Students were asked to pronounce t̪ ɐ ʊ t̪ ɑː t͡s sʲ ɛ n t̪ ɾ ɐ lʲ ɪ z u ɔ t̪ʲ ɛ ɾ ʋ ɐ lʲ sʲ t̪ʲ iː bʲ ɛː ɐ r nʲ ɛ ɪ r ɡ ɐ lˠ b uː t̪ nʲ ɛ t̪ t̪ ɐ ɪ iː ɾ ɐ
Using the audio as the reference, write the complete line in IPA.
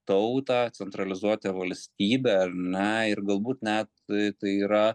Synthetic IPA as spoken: t̪ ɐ ʊ t̪ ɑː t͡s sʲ ɛ n t̪ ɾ ɐ lʲ ɪ z u ɔ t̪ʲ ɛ ʋ ɐ lʲ sʲ t̪ʲ iː bʲ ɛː ɐ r nʲ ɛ ɪ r ɡ ɐ lˠ b uː t̪ nʲ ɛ t̪ t̪ ɐ ɪ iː ɾ ɐ

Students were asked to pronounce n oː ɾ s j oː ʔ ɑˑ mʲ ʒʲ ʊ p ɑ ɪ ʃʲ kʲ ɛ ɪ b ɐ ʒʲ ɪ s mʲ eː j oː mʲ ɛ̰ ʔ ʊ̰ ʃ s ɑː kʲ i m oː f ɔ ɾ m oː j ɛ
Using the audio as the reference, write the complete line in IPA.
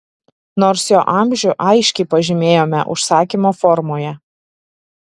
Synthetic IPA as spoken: n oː ɾ s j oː ʔ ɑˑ mʲ ʒʲ ʊ ʔ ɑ ɪ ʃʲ kʲ ɛ ɪ p ɐ ʒʲ ɪ mʲ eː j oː mʲ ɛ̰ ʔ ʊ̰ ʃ s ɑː kʲ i m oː f ɔ ɾ m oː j ɛ

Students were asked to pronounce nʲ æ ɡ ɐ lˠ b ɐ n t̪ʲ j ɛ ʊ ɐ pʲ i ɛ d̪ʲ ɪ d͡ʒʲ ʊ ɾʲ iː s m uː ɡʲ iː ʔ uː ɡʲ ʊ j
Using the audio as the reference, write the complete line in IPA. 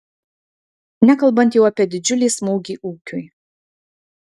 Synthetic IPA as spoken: nʲ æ k ɐ lˠ b ɐ n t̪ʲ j ɛ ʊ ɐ pʲ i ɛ d̪ʲ ɪ d͡ʒʲ ʊ lʲ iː s m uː ɡʲ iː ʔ uː kʲ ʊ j

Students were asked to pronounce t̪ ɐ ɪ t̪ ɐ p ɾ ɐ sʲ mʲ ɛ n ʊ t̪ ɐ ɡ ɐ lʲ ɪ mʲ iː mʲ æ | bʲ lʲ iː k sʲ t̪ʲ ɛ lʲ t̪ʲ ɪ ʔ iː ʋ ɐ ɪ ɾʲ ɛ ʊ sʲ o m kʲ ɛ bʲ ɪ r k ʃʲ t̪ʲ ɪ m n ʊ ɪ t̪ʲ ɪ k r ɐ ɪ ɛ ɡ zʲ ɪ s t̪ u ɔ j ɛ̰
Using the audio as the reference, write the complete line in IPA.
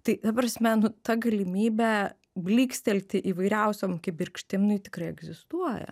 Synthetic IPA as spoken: t̪ ɐ ɪ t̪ ɐ p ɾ ɐ sʲ mʲ ɛ n ʊ t̪ ɐ ɡ ɐ lʲ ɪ mʲ iː bʲ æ | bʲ lʲ iː k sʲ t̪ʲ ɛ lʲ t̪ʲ ɪ ʔ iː ʋ ɐ ɪ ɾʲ ɛ ʊ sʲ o m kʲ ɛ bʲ ɪ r k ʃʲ t̪ʲ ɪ m n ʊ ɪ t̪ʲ ɪ k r ɐ ɪ ɛ ɡ zʲ ɪ s t̪ u ɔ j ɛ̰

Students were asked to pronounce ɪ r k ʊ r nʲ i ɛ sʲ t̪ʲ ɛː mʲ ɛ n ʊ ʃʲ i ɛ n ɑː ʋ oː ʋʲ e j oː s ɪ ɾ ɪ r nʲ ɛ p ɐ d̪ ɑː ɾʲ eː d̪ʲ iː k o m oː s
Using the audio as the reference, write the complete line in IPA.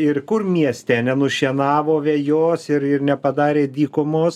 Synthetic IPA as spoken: ɪ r k ʊ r mʲ i ɛ sʲ t̪ʲ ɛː nʲ ɛ n ʊ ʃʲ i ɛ n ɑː ʋ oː ʋʲ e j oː s ɪ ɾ ɪ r nʲ ɛ p ɐ d̪ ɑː ɾʲ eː d̪ʲ iː k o m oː s

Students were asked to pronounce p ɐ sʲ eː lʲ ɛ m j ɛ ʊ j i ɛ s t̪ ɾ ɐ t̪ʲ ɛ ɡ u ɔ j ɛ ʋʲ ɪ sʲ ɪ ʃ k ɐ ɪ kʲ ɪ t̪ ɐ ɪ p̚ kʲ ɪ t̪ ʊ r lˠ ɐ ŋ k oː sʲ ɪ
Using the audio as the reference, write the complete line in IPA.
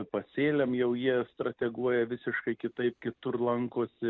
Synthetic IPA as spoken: p ɐ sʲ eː lʲ ɛ m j ɛ ʊ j i ɛ s t̪ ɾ ɐ t̪ʲ ɛ ɡ u ɔ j ɛ ʋʲ ɪ sʲ ɪ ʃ k ɐ ɪ kʲ ɪ t̪ ɐ ɪ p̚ kʲ ɪ t̪ ʊ r lˠ ɐ ŋ k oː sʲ ɪ

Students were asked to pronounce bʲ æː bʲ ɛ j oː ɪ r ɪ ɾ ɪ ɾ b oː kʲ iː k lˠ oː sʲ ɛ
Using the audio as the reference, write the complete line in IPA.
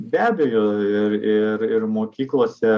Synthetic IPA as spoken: bʲ æː bʲ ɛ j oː ɪ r ɪ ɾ ɪ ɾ m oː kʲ iː k lˠ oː sʲ ɛ

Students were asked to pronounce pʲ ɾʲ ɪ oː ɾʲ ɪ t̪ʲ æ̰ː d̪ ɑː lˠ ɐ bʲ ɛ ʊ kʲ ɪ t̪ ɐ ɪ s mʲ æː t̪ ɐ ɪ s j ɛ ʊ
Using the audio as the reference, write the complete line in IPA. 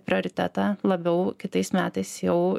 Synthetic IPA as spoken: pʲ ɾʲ ɪ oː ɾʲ ɪ t̪ʲ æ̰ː t̪ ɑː lˠ ɐ bʲ ɛ ʊ kʲ ɪ t̪ ɐ ɪ s mʲ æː t̪ ɐ ɪ s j ɛ ʊ

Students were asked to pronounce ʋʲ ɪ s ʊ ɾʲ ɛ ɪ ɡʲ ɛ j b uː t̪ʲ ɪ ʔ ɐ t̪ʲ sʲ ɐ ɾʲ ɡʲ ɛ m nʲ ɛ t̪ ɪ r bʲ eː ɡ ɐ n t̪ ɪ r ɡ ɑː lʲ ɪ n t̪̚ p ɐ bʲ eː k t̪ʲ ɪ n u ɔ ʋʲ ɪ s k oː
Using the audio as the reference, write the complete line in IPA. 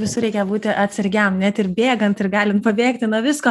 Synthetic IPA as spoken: ʋʲ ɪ s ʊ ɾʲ ɛ ɪ kʲ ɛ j b uː t̪ʲ ɪ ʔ ɐ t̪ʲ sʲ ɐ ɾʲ ɡʲ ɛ m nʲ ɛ t̪ ɪ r bʲ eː ɡ ɐ n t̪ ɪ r ɡ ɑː lʲ ɪ n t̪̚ p ɐ bʲ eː k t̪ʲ ɪ n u ɔ ʋʲ ɪ s k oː

